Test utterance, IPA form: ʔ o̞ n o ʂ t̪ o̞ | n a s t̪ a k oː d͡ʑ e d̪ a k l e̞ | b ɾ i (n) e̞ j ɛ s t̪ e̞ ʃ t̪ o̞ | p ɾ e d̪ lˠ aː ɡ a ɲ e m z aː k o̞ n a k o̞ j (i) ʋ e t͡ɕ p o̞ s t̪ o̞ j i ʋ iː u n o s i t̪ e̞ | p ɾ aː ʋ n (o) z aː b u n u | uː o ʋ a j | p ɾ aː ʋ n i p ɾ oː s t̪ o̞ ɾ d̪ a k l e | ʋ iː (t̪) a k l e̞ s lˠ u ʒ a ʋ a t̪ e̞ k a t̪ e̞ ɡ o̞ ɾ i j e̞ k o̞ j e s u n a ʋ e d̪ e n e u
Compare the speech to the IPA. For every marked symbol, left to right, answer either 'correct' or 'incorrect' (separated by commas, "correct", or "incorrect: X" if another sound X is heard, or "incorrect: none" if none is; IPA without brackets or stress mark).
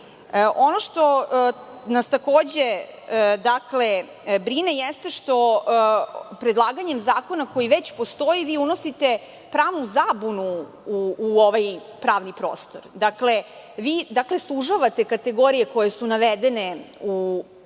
correct, correct, incorrect: u, incorrect: d̪